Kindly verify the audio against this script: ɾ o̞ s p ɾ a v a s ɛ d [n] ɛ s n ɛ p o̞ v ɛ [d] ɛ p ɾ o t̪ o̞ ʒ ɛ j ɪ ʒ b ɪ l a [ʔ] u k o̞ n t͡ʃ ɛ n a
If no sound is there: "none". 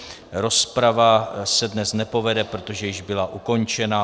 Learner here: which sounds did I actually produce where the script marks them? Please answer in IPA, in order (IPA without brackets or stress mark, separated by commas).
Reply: n, d, ʔ